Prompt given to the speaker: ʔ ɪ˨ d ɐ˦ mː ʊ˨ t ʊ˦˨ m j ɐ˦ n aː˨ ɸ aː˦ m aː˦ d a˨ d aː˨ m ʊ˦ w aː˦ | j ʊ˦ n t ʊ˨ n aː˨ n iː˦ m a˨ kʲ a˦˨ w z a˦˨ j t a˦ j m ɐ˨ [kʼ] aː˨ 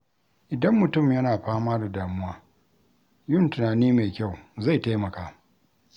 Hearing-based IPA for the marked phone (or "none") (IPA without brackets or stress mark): k